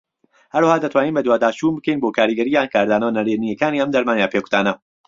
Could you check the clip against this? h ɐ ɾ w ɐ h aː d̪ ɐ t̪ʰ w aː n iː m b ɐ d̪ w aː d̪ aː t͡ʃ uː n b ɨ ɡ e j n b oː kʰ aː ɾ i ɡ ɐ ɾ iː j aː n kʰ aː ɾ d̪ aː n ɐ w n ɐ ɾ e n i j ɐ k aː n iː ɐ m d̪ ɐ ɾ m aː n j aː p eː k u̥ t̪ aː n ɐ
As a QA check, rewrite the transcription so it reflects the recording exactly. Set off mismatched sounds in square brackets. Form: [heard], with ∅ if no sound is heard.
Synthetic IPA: h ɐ ɾ w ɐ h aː d̪ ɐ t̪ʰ w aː n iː [n] b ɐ d̪ w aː d̪ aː t͡ʃ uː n b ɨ [k] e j n b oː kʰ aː ɾ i ɡ ɐ ɾ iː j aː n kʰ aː ɾ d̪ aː n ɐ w n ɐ ɾ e n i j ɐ k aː n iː ɐ m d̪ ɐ ɾ m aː n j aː p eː k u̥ t̪ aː n ɐ